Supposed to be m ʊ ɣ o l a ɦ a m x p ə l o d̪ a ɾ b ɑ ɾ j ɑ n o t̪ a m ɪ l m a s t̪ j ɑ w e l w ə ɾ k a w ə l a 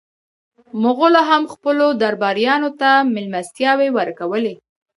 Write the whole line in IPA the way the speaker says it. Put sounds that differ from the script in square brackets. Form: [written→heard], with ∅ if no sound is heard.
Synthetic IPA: m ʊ ɣ o l a ɦ a m x p ə l o d̪ a ɾ b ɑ ɾ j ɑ n o t̪ a m ɪ l m a s t̪ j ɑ w e [l→∅] w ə ɾ k a w ə l [a→e]